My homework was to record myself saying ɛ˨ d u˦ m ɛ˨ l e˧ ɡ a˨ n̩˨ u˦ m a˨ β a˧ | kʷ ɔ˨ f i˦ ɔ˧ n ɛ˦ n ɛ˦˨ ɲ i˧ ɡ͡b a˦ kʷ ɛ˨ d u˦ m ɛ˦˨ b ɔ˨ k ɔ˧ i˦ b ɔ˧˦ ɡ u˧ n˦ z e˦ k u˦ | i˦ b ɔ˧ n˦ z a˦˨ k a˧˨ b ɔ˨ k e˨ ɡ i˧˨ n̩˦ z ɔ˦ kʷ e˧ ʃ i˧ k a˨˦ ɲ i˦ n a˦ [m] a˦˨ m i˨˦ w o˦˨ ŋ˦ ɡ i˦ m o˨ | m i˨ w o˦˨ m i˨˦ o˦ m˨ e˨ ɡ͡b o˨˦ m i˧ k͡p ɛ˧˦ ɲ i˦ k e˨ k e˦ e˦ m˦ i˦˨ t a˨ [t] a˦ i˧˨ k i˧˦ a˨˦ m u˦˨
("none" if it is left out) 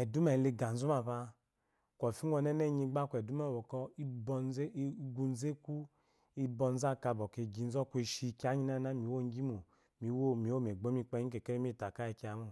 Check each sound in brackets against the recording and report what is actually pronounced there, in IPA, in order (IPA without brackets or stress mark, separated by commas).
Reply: n, k